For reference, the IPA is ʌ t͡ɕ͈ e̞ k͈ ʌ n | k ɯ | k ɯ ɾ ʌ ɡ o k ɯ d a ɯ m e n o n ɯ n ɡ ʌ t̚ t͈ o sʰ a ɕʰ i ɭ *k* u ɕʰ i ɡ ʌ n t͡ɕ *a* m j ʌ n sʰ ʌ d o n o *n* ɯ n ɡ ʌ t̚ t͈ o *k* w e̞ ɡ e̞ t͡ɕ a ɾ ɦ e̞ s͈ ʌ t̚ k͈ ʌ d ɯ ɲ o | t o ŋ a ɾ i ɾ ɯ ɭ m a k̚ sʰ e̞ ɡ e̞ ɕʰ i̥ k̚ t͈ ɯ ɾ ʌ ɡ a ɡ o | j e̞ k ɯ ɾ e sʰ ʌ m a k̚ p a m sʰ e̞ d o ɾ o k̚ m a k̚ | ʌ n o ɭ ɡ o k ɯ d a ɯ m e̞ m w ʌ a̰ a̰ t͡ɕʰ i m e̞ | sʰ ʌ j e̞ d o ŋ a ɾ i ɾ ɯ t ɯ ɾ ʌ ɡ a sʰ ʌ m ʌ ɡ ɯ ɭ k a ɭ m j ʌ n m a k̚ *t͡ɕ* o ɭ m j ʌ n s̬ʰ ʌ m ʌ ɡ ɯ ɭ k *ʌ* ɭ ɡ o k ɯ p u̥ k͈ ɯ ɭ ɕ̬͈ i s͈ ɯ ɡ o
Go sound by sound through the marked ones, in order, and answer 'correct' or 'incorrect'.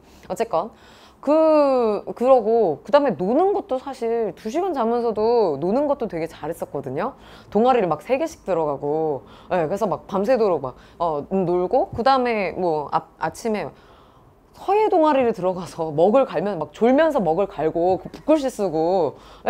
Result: incorrect, correct, correct, incorrect, correct, incorrect

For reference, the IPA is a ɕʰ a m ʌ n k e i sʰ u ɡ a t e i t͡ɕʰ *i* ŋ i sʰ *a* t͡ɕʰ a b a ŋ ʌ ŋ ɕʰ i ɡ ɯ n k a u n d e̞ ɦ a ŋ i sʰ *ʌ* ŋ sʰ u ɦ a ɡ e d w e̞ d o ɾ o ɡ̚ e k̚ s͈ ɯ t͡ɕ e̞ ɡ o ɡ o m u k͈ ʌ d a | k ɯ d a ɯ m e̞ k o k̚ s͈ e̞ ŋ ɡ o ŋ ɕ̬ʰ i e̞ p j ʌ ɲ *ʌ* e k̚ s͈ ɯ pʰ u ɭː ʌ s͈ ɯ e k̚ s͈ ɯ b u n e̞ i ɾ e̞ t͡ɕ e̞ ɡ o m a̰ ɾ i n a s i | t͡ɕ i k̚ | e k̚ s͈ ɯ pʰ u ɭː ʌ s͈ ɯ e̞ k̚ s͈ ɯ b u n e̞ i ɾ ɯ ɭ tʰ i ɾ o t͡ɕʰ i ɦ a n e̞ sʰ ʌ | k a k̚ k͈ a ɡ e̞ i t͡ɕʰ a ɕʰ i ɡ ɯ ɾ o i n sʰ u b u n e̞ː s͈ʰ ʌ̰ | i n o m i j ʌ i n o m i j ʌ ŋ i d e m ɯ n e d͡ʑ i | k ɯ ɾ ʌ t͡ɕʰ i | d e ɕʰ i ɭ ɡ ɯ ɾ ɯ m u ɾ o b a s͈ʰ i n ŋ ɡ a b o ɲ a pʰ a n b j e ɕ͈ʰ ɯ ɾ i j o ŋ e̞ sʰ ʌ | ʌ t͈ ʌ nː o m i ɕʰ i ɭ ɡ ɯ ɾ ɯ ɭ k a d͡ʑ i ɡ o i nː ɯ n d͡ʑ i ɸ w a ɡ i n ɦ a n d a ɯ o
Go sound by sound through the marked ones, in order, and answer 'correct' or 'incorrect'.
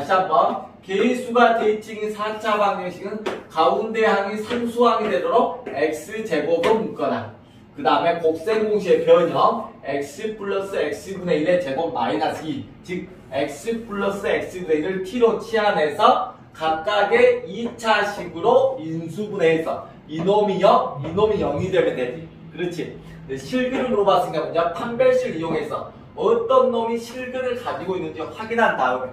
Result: correct, correct, incorrect, correct

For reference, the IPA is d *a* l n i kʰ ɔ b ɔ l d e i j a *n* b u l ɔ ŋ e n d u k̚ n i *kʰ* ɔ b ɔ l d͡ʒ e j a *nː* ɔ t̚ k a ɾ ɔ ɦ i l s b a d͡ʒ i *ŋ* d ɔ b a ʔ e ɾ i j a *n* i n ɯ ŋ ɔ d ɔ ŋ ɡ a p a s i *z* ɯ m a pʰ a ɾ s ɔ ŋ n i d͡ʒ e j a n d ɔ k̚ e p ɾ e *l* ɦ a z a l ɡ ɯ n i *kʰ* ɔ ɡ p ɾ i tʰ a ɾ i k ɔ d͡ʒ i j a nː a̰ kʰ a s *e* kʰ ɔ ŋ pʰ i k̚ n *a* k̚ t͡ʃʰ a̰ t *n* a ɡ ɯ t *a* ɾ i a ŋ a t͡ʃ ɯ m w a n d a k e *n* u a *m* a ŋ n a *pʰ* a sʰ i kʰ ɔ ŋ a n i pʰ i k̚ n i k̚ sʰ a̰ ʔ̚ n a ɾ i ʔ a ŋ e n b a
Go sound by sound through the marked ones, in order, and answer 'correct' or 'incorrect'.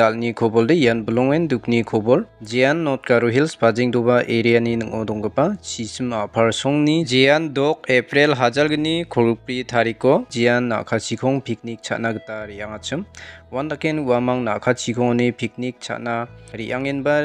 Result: correct, correct, correct, correct, correct, correct, incorrect, correct, correct, incorrect, incorrect, correct, correct, correct, correct, incorrect

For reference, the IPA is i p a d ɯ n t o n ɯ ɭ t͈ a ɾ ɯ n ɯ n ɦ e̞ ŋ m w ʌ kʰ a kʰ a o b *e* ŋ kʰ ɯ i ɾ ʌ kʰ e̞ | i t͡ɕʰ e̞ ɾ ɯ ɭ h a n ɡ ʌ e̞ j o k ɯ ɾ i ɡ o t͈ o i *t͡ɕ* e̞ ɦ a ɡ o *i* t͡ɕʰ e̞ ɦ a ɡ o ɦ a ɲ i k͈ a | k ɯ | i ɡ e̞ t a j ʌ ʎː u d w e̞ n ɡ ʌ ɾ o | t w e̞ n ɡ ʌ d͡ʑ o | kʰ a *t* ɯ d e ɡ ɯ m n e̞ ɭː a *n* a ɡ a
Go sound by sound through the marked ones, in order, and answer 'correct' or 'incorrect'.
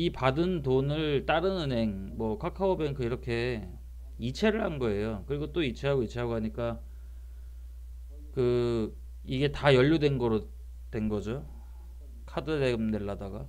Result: correct, incorrect, correct, incorrect, incorrect

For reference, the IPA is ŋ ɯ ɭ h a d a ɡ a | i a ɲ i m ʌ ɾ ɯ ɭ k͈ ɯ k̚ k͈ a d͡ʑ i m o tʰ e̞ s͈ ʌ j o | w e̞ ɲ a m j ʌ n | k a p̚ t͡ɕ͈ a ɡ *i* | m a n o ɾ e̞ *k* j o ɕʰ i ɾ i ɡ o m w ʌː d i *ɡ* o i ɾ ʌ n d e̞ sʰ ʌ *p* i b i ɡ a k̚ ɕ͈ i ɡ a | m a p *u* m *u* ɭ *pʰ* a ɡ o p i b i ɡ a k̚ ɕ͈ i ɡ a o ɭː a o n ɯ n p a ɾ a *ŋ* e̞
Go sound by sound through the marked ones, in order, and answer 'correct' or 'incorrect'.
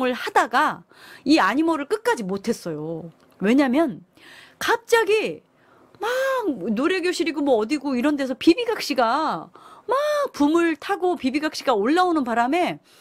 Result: correct, incorrect, correct, correct, correct, incorrect, incorrect, incorrect

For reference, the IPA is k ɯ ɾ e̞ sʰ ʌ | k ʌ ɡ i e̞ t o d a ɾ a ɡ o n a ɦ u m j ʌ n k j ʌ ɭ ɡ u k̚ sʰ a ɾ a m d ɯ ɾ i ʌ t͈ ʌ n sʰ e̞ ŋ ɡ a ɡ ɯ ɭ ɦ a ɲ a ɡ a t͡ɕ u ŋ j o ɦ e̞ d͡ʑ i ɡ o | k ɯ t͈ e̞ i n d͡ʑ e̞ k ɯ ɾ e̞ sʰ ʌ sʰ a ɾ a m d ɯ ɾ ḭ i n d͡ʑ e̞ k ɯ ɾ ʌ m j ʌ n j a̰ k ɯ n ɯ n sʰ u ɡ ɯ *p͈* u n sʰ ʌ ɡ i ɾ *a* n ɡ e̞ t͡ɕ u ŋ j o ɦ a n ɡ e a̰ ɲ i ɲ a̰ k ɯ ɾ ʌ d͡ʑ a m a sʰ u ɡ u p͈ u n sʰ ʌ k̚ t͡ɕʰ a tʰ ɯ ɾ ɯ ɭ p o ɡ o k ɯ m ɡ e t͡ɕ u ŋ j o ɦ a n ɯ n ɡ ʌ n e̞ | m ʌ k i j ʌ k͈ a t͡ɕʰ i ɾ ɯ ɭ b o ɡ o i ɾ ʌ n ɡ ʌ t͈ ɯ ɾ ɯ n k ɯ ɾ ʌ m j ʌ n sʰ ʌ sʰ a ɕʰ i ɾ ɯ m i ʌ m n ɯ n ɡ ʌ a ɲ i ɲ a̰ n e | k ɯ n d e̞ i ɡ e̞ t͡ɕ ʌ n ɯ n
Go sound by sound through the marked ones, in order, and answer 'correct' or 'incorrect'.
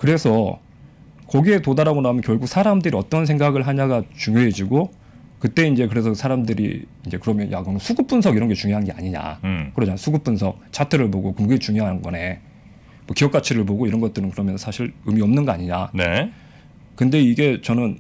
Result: correct, incorrect

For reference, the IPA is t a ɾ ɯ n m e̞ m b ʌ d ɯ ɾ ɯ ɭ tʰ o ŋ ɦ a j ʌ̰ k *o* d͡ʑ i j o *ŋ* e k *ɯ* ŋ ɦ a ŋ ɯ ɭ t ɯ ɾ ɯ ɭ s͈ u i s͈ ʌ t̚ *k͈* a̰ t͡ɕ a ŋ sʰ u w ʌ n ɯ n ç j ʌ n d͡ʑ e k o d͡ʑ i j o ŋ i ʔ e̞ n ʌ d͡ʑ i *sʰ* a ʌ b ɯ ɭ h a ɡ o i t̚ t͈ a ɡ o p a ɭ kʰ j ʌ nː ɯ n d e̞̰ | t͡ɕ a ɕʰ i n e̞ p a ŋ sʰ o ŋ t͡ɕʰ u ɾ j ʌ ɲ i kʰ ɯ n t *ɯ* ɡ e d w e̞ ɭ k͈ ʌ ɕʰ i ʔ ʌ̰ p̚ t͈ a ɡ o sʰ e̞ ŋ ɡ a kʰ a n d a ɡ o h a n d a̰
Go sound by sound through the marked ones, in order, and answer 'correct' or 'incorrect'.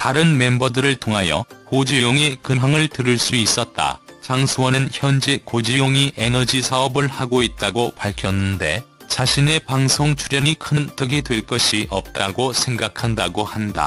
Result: correct, correct, correct, incorrect, correct, correct

